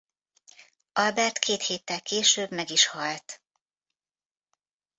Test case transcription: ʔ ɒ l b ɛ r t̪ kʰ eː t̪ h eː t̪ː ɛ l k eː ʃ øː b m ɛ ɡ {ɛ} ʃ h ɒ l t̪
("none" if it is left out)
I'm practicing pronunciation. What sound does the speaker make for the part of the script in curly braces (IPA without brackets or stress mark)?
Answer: i